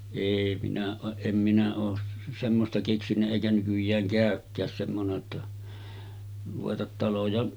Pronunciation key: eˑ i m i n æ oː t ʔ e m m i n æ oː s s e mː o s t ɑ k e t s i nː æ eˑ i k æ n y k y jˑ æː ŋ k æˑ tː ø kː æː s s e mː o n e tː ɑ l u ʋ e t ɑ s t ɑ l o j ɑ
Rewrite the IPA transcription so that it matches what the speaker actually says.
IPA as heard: eˑ i m i n æ oː ʔ ʔ e m m i n æ oː s s e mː o s t ɑ k e k s i nː æ eˑ i k æ n y k y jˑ æː ŋ k æˑ ø kː æː s s e mː o n e tː ɑ r u ʋ e t ɑ t t ɑ l o j ɑ